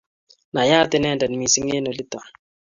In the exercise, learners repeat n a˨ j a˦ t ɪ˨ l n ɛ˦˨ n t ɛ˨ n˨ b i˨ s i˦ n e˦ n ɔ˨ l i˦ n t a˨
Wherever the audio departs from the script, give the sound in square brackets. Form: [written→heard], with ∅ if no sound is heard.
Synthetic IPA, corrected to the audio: n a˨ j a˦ t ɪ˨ [l→∅] n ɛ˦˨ n [t→d] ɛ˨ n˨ [b→m] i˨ s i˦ [n→ŋ] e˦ n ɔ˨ l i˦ [n→∅] t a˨